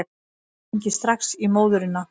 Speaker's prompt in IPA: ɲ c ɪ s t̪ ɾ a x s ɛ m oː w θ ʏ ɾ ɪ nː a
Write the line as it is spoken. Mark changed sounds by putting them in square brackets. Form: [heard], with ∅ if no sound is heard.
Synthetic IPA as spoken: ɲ c ɪ s t̪ ɾ a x s [i] m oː w [ð] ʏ ɾ ɪ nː a